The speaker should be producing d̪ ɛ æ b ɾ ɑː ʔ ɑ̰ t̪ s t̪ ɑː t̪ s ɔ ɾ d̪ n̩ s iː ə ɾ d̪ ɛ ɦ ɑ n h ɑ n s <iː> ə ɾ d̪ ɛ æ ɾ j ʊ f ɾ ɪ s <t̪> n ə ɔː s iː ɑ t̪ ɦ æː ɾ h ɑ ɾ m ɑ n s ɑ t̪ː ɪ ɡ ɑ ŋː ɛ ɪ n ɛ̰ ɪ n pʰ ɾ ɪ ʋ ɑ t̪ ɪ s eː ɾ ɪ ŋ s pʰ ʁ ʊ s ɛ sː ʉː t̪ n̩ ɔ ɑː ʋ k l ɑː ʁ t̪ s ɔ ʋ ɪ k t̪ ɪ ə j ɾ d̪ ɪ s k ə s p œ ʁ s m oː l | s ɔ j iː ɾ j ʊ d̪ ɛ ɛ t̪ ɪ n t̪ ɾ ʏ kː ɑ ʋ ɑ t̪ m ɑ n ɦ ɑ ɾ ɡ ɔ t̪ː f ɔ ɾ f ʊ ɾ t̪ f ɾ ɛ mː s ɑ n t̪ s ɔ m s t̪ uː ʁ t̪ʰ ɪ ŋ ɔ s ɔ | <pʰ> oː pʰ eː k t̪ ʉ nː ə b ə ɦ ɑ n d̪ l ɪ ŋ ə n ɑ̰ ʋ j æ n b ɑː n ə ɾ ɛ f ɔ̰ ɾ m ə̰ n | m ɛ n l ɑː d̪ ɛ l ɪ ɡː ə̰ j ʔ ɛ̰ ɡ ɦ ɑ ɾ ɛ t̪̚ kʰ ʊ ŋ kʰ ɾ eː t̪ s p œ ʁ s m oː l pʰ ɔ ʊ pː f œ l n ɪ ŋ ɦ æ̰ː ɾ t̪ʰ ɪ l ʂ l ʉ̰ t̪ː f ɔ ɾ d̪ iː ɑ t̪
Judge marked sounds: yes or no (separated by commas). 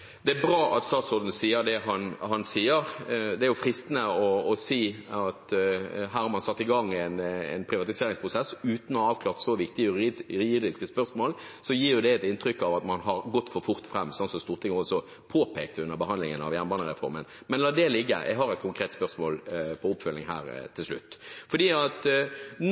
yes, yes, yes